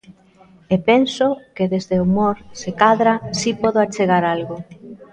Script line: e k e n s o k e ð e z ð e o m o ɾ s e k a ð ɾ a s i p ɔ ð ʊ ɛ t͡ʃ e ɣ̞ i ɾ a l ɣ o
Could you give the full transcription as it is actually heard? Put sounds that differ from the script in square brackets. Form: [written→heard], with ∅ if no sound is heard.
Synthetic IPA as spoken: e [k→p] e n s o k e ð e z ð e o m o ɾ s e k a ð ɾ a s i p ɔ ð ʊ [ɛ→a] t͡ʃ e ɣ̞ [i→a] ɾ a l ɣ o

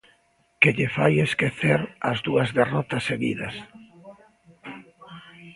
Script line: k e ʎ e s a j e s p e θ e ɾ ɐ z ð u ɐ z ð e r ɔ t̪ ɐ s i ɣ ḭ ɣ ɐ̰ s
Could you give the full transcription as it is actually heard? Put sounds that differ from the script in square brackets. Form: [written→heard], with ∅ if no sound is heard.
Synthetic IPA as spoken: k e ʎ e [s→f] a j e s [p→k] e θ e ɾ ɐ z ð u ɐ z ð e r ɔ t̪ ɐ s [i→e] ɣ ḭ [ɣ→ð] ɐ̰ s

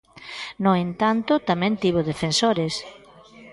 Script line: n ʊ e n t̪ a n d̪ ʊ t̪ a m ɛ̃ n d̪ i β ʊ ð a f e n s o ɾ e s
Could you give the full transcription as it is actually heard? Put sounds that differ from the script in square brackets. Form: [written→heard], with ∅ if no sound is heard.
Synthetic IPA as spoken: n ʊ e n t̪ a n [d̪→t̪] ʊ t̪ a m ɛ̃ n [d̪→t̪] i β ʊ ð [a→e] f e n s o ɾ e s

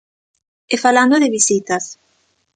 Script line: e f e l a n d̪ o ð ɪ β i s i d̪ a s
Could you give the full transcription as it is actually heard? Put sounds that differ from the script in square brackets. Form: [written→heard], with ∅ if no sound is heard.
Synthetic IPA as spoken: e f [e→a] l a n d̪ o ð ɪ β i s i [d̪→t̪] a s

